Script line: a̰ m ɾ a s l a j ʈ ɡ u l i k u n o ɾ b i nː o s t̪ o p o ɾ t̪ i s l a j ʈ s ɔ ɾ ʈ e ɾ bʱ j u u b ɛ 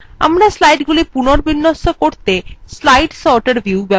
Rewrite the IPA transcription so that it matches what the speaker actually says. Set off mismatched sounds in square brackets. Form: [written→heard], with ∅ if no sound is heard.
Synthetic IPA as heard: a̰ m ɾ a s l a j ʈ ɡ u l i [k→p] u n o ɾ b i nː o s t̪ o [p→k] o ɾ t̪ [i→e] s l a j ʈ s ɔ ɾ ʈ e ɾ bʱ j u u b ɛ